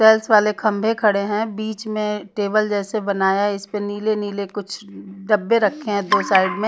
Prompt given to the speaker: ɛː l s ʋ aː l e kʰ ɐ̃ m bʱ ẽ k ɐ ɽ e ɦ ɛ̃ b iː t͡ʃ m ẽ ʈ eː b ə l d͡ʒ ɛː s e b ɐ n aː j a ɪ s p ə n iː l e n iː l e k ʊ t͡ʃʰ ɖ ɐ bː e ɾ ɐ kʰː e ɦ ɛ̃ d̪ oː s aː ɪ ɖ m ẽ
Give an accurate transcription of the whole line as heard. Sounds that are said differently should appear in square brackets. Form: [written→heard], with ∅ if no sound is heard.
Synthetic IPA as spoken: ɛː l s ʋ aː l e kʰ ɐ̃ m bʱ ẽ [k→kʰ] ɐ ɽ e ɦ ɛ̃ b iː t͡ʃ m ẽ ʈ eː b ə l d͡ʒ ɛː s e b ɐ n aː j a ɪ s p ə n iː l e n iː l e k ʊ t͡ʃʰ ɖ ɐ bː e ɾ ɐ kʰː e ɦ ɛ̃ d̪ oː s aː ɪ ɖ m ẽ